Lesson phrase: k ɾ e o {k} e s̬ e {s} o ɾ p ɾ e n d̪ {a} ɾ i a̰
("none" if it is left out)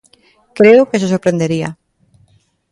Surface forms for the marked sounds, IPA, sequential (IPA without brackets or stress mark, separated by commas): k, s, e